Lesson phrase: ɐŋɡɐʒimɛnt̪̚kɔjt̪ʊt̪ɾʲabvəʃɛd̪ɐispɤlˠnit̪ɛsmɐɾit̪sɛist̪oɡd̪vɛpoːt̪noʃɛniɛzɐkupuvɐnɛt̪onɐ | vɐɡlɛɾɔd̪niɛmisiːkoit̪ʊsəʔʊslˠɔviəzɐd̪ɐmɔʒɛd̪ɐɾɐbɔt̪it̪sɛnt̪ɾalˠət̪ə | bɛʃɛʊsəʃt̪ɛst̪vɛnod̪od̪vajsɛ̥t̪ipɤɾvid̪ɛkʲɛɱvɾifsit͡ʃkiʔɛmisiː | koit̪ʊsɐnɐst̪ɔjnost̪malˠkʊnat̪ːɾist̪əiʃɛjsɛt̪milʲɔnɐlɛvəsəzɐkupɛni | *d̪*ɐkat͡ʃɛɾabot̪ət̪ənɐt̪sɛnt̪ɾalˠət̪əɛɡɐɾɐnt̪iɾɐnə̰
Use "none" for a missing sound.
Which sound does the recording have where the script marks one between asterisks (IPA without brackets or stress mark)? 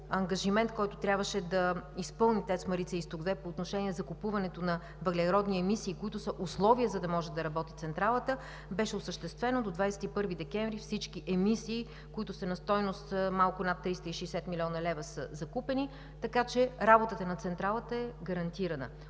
t̪